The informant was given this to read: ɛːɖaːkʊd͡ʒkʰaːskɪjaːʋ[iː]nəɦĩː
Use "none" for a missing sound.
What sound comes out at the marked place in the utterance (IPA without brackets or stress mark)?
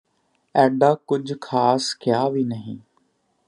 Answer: iː